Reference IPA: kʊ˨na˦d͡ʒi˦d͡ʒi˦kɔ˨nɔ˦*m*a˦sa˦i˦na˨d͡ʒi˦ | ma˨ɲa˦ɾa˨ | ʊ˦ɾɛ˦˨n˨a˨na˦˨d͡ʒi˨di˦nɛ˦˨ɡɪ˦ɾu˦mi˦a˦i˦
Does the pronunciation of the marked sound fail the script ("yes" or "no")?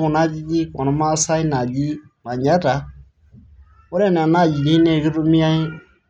no